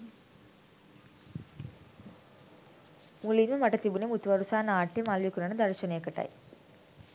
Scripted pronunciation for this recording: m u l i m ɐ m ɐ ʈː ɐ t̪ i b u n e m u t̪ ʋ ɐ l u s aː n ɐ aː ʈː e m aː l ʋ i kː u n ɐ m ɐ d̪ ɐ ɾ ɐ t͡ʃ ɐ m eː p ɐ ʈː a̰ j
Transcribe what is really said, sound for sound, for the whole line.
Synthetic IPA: m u l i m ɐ m ɐ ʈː ɐ t̪ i b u n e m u t̪ ʋ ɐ ɾ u s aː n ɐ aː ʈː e m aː l ʋ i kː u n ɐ n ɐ d̪ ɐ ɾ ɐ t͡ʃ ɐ n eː k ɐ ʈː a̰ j